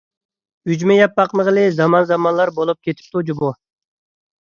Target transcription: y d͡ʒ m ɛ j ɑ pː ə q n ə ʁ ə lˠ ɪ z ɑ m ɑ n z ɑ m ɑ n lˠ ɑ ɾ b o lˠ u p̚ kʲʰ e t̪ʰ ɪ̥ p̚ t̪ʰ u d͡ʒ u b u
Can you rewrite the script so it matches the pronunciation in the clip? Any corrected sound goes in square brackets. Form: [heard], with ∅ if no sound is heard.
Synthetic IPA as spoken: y d͡ʒ m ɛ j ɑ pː [ɑ] q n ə ʁ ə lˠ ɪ z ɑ m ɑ n z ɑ m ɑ n lˠ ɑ ɾ b o lˠ u p̚ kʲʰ e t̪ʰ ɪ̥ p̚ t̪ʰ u d͡ʒ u b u